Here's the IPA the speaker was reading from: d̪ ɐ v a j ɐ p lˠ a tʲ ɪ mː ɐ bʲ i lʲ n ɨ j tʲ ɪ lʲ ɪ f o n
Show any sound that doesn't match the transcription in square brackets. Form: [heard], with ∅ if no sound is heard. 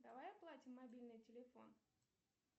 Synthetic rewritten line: d̪ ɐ v a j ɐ p lˠ a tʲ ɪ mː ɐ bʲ i lʲ n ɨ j tʲ ɪ lʲ ɪ f o n